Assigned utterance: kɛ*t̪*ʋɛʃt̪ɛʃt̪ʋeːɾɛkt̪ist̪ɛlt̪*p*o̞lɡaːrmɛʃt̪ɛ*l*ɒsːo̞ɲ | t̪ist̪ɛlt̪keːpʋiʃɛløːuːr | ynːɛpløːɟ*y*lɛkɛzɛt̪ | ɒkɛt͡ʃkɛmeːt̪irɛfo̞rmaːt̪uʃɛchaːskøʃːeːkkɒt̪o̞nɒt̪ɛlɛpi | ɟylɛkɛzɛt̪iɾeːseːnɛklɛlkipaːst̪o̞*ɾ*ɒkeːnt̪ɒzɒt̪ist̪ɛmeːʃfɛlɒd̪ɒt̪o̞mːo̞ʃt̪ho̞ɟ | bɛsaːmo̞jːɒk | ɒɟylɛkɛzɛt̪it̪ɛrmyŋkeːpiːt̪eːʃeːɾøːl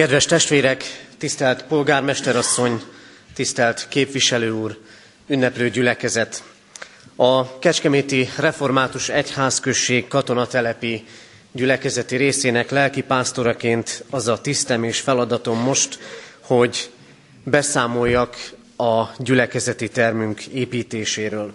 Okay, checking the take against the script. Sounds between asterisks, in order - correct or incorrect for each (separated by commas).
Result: incorrect, correct, incorrect, correct, correct